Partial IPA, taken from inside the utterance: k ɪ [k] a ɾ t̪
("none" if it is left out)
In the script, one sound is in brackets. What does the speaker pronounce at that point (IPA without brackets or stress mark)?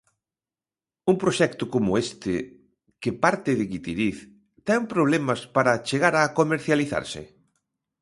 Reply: p